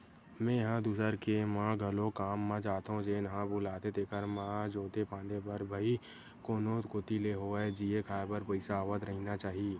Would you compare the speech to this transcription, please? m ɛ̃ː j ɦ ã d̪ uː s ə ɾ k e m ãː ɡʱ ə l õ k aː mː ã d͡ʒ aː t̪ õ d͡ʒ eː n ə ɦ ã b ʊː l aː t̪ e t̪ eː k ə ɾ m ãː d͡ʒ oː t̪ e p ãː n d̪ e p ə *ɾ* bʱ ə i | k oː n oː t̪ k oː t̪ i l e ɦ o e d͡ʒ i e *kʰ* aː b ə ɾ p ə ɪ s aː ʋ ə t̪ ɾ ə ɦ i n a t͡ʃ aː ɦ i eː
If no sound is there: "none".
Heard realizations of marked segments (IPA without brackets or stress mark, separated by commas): ɾ, kʰ